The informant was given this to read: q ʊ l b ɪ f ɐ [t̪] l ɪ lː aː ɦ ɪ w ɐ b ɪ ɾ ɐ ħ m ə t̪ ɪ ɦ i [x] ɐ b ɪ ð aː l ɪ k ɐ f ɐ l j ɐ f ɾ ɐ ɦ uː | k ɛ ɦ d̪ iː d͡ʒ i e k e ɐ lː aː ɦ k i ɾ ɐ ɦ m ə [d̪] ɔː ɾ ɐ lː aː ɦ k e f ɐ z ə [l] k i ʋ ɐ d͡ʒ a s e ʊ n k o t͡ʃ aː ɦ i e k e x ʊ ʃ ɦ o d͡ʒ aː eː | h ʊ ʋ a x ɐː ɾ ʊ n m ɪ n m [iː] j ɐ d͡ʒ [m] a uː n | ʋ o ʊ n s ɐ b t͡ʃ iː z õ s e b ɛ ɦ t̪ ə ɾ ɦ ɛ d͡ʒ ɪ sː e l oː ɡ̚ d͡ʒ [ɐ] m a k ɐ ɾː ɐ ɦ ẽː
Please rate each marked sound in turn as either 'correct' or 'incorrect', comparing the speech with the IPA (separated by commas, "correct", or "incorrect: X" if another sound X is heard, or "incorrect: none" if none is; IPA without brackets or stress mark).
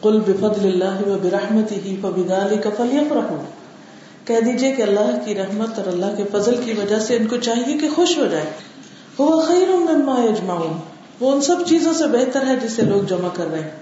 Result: incorrect: d̪, incorrect: f, incorrect: t̪, correct, incorrect: aː, correct, correct